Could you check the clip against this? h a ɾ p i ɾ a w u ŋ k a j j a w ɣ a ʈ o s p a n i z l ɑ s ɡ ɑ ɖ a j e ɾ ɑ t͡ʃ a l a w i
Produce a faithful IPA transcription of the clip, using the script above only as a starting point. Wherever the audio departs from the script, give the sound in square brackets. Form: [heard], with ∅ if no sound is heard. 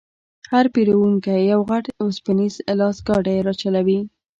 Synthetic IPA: h a ɾ p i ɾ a w u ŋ k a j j a w ɣ a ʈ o s p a n i z l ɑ s ɡ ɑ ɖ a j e ɾ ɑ t͡ʃ a l a w i